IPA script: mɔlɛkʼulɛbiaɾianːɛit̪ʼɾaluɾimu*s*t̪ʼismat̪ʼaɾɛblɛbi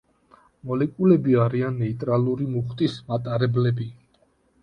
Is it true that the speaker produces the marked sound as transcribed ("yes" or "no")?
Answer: no